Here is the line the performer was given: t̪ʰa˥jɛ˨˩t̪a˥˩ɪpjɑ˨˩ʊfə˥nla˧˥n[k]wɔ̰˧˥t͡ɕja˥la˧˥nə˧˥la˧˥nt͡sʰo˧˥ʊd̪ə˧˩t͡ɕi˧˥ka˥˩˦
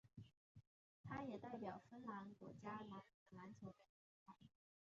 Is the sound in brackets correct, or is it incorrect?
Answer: correct